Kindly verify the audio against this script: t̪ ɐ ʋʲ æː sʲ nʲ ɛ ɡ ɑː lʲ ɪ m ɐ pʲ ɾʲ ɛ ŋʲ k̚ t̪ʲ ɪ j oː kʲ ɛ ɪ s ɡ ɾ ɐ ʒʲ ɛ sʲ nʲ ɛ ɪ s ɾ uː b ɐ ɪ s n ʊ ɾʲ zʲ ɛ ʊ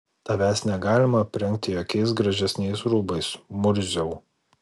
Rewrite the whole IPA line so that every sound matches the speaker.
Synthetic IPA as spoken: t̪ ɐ ʋʲ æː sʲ nʲ ɛ ɡ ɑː lʲ ɪ m ɐ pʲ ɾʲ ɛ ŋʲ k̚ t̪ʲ ɪ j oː kʲ ɛ ɪ s ɡ ɾ ɐ ʒʲ ɛ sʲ nʲ ɛ ɪ s ɾ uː b ɐ ɪ s m ʊ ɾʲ zʲ ɛ ʊ

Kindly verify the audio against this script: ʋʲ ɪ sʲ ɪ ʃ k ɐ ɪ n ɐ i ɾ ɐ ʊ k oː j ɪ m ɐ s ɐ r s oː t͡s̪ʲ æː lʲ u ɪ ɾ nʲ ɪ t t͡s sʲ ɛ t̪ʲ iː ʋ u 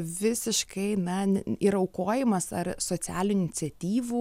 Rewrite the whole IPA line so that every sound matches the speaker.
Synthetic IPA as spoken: ʋʲ ɪ sʲ ɪ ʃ k ɐ ɪ n ɐ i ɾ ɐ ʊ k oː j ɪ m ɐ s ɐ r s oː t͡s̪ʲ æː lʲ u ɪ nʲ ɪ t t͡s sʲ ɛ t̪ʲ iː ʋ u

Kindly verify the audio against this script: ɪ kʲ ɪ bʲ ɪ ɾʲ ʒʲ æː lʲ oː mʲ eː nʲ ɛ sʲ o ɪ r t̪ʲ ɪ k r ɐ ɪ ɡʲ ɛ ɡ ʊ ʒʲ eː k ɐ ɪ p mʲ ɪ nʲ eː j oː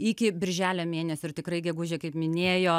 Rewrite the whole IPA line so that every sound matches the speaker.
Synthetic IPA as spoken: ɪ kʲ ɪ bʲ ɪ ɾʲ ʒʲ æː lʲ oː mʲ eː nʲ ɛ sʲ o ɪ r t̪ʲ ɪ k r ɐ ɪ ɡʲ ɛ ɡ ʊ ʒʲ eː k ɐ ɪ p mʲ ɪ nʲ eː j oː

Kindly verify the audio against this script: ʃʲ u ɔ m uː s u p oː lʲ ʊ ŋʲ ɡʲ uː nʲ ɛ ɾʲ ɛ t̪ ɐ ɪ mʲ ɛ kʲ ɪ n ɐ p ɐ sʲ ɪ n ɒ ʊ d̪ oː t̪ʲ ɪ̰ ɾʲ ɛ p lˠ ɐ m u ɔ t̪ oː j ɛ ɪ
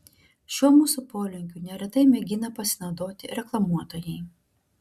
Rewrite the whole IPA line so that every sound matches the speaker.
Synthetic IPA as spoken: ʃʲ u ɔ m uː s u p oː lʲ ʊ ŋʲ kʲ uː nʲ ɛ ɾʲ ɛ t̪ ɐ ɪ mʲ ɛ ɡʲ ɪ n ɐ p ɐ sʲ ɪ n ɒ ʊ d̪ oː t̪ʲ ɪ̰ ɾʲ ɛ k lˠ ɐ m u ɔ t̪ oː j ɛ ɪ

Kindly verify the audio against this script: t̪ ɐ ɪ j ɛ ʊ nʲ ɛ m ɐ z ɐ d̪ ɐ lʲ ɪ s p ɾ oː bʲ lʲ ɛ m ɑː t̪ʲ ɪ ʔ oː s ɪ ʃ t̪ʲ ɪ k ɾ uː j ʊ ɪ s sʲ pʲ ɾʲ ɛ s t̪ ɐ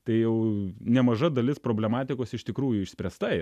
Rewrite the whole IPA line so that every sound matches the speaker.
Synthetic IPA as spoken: t̪ ɐ ɪ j ɛ ʊ nʲ ɛ m ɐ ʒ ɐ d̪ ɐ lʲ ɪ s p ɾ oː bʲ lʲ ɛ m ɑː t̪ʲ ɪ k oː s ɪ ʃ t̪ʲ ɪ k ɾ uː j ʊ ɪ ʃ sʲ pʲ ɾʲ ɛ s t̪ ɐ

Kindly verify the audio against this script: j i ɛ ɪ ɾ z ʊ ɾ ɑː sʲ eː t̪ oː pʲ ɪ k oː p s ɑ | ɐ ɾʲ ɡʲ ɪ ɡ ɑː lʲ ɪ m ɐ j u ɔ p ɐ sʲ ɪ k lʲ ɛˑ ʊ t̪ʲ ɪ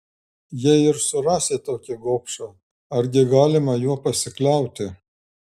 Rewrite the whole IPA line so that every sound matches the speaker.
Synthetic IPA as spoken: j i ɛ ɪ ɾ s ʊ ɾ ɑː sʲ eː t̪ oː kʲ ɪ ɡ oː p ʃ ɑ | ɐ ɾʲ ɡʲ ɪ ɡ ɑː lʲ ɪ m ɐ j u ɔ p ɐ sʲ ɪ k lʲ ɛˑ ʊ t̪ʲ ɪ

